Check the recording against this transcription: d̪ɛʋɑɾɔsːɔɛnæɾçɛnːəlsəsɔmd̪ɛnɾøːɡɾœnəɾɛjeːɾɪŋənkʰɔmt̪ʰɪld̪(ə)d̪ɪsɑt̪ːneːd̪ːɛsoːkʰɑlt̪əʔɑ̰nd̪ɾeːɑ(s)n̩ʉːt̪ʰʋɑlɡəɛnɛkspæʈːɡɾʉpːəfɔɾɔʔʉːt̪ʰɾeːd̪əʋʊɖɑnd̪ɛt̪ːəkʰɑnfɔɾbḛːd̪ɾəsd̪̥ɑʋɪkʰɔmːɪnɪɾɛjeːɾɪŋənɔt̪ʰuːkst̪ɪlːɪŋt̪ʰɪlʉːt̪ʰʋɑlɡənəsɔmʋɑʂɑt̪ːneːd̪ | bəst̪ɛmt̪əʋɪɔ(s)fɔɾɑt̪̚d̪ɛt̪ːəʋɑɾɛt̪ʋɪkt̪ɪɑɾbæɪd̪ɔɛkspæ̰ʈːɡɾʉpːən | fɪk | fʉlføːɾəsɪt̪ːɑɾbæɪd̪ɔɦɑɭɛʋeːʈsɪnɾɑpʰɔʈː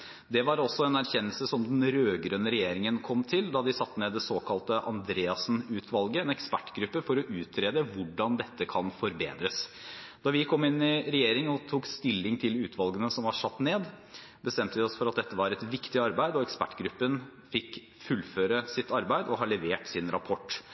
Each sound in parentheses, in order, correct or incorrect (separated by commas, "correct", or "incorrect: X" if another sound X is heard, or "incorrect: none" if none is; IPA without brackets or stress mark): incorrect: ɑ, correct, correct